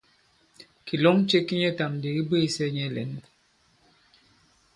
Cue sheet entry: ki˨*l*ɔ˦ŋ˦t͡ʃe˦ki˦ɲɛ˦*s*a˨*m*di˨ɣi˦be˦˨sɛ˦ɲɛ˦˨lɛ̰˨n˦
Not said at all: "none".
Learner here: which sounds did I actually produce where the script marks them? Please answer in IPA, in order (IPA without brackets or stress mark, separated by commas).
l, t, m